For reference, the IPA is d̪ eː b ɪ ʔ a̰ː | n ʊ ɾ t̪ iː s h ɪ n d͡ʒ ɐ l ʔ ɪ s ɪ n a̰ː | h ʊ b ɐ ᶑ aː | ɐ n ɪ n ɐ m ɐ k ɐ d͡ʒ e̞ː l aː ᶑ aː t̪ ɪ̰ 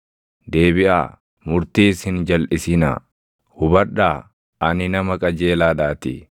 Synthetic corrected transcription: d̪ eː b ɪ ʔ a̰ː | m ʊ ɾ t̪ iː s h ɪ n d͡ʒ ɐ l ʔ ɪ s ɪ n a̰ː | h ʊ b ɐ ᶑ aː | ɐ n ɪ n ɐ m ɐ kʼ ɐ d͡ʒ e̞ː l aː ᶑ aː t̪ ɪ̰